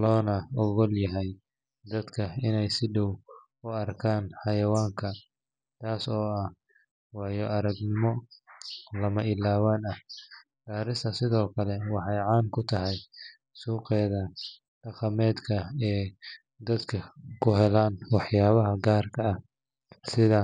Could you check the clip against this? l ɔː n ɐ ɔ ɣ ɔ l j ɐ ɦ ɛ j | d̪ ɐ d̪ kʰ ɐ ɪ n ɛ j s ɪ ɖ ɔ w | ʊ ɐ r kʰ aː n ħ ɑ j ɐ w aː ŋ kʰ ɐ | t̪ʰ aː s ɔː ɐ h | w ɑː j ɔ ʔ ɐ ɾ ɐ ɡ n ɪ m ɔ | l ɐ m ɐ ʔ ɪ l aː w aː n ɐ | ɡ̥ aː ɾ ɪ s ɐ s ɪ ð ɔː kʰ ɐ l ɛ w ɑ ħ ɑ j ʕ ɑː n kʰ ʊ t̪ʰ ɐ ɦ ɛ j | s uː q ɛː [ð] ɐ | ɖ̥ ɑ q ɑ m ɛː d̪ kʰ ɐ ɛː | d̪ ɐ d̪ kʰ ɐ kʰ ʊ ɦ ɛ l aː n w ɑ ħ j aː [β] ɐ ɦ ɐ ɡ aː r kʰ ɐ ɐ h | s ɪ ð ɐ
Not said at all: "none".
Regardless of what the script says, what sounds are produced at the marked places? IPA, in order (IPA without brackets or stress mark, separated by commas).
ð, β